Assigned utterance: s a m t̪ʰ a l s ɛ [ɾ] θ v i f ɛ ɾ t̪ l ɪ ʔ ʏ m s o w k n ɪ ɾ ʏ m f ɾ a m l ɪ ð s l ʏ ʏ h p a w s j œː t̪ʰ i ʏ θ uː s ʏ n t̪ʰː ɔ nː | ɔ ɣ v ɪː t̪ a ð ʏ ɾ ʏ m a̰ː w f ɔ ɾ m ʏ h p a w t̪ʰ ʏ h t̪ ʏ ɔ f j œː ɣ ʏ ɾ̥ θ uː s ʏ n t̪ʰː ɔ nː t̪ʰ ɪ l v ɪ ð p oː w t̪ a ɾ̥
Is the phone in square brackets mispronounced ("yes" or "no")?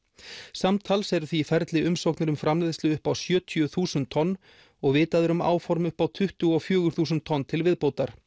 no